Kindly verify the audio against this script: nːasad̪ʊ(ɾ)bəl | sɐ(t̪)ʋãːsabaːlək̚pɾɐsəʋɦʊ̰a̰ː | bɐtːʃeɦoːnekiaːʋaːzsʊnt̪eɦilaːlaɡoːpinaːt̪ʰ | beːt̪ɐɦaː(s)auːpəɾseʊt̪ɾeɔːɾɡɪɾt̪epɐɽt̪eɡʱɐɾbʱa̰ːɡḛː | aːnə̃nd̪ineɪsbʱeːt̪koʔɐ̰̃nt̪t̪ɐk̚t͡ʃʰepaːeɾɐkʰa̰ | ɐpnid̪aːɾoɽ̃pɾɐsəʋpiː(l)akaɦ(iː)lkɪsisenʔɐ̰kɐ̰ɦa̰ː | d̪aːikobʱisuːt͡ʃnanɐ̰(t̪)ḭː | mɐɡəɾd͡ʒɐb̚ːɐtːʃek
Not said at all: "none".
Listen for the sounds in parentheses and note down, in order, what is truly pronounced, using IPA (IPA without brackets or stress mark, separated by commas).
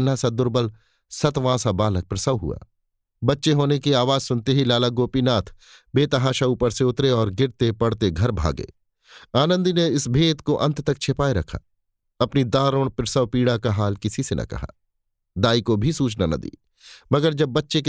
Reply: ɾ, t̪, ʃ, ɽ, aː, d̪